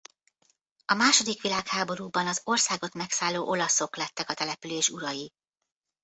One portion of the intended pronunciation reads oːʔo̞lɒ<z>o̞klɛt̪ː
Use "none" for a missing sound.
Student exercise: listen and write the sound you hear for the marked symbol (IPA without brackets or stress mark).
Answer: s